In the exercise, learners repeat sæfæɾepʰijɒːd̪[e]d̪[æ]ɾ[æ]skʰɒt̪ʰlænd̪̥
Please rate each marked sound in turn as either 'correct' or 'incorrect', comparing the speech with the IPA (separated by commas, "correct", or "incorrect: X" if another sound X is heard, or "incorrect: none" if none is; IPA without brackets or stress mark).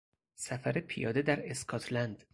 correct, correct, incorrect: e